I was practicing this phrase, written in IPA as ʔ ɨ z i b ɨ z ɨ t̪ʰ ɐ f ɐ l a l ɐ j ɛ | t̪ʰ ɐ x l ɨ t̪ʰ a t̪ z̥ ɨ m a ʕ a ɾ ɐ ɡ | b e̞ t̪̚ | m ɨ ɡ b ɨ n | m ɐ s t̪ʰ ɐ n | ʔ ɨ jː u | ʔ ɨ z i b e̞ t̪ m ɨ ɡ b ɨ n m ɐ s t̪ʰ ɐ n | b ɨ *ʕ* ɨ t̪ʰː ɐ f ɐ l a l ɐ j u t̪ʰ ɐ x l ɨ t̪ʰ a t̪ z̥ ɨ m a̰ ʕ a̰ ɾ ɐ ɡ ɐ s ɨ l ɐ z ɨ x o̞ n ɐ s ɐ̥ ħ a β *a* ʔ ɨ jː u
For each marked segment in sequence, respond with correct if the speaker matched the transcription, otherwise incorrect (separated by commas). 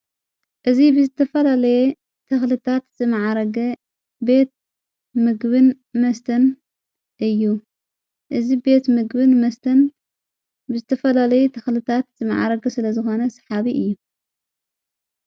incorrect, incorrect